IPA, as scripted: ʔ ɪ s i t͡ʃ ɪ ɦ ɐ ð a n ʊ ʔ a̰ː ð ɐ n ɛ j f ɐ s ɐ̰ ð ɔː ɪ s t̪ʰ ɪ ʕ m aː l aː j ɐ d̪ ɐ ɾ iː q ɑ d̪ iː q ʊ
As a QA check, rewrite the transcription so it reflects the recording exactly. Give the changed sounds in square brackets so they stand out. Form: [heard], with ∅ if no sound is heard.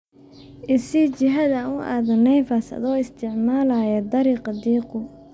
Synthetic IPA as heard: ʔ ɪ s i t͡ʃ ɪ ɦ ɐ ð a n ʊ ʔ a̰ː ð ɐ n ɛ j f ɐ s ɐ̰ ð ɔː ɪ s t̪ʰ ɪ ʕ m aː l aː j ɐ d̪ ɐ ɾ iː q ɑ d̪ iː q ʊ